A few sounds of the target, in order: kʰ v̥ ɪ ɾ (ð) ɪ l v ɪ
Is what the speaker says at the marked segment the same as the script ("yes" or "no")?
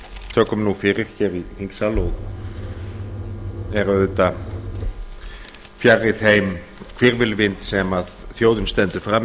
no